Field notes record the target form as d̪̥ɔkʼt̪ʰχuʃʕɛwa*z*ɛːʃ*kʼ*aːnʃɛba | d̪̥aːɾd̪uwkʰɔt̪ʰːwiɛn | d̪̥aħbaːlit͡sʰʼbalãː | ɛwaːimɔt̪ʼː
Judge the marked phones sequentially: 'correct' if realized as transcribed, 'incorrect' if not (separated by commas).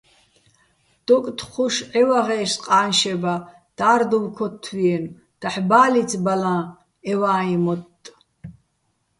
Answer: incorrect, incorrect